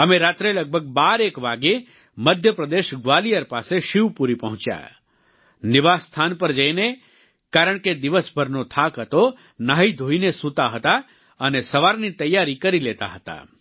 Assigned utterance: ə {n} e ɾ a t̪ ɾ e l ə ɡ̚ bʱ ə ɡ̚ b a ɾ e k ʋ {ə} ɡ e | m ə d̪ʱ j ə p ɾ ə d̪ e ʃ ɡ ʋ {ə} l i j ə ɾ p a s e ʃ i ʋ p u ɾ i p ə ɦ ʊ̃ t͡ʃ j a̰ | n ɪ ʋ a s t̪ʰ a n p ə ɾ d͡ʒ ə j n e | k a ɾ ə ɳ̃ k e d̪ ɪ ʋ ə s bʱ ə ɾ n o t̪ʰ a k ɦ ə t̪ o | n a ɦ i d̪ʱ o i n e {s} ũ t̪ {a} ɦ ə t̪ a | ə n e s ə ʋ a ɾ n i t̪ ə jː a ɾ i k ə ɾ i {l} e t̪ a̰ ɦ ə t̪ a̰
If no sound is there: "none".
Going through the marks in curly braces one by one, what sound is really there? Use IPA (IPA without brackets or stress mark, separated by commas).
m, a, a, s, a, l